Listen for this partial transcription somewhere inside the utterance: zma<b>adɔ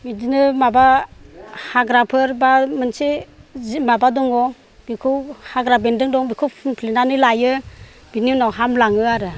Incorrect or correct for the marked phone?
correct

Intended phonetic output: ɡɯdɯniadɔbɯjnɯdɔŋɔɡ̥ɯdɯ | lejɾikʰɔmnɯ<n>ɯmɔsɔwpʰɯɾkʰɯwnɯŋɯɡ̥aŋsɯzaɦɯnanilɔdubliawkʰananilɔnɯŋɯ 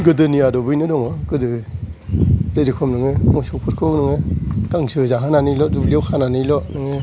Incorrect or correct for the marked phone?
incorrect: ŋ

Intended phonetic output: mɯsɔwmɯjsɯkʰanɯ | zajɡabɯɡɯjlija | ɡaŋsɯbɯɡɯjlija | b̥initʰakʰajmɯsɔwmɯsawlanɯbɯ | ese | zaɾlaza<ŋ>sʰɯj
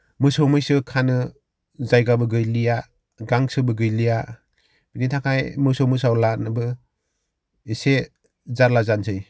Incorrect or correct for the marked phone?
incorrect: n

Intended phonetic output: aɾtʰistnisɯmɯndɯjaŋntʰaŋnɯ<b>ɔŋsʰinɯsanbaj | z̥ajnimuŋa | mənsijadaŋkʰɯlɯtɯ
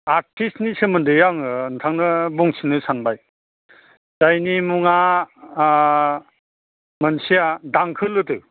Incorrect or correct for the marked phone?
correct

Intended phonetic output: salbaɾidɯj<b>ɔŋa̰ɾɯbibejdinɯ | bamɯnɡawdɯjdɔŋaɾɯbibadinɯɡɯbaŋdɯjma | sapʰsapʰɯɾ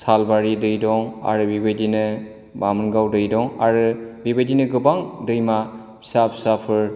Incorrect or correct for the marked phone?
incorrect: d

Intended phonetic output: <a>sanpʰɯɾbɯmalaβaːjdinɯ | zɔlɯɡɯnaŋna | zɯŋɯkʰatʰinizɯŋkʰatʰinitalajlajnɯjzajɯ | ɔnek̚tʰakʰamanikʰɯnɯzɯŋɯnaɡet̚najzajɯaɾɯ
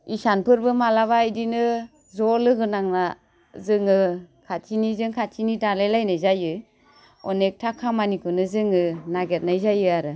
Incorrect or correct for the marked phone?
incorrect: i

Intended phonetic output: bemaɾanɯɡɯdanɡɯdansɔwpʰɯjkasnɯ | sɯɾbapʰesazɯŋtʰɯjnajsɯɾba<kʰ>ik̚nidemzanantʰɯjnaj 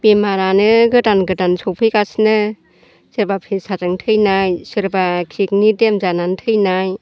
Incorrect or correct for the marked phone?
correct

